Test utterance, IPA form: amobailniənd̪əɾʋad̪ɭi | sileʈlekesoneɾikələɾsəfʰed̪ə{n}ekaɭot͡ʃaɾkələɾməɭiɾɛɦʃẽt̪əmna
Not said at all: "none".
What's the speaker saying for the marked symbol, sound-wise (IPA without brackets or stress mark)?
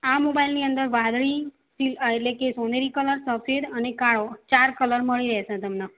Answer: n